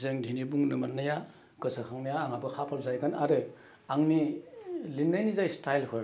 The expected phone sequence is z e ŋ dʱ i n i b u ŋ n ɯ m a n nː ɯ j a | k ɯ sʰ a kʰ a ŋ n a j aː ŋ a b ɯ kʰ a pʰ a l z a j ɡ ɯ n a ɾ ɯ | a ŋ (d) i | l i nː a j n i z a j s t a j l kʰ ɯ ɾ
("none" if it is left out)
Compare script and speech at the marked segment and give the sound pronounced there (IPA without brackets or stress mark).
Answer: n